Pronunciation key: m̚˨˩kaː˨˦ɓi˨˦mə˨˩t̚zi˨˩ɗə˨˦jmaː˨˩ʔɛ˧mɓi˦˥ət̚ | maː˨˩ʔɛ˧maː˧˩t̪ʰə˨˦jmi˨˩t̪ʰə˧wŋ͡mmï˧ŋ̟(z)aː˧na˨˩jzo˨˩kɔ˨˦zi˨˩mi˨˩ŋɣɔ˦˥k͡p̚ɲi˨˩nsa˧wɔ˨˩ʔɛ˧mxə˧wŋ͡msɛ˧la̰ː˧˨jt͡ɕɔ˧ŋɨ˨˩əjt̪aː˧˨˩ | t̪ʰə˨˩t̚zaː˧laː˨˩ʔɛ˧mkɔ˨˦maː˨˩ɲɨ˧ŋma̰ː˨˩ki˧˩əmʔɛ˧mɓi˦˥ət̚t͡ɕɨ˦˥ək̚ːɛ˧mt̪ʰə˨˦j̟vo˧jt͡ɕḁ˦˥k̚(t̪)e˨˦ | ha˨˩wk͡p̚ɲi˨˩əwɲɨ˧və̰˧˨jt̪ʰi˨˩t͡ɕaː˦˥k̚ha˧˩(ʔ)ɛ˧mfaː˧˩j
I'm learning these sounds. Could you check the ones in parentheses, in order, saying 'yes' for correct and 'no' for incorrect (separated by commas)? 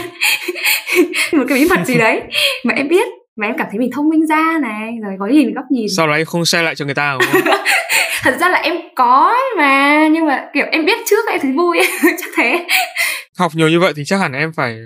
yes, no, yes